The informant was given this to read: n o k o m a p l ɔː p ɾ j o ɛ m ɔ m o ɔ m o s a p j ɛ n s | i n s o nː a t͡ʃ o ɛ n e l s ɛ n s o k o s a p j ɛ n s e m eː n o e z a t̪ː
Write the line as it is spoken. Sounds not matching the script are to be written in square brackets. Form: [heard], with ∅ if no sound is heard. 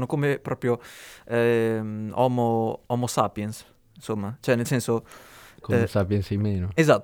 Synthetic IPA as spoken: n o k o m [e] p [ɾ] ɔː p ɾ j o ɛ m ɔ m o ɔ m o s a p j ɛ n s | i n s o [mː] a t͡ʃ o ɛ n e l s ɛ n s o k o s a p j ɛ n s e m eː n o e z a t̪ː